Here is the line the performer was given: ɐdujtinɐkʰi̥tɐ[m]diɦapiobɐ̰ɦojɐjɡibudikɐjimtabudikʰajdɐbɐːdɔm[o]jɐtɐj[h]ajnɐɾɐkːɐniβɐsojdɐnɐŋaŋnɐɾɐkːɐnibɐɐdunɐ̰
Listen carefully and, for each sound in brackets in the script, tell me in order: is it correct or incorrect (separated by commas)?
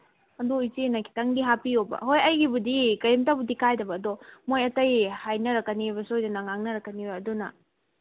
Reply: incorrect, correct, correct